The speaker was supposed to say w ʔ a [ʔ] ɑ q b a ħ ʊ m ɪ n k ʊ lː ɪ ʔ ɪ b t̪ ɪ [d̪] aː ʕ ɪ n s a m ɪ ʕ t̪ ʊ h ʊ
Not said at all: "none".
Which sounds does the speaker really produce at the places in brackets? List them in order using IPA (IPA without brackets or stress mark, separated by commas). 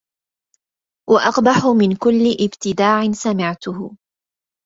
ʔ, d̪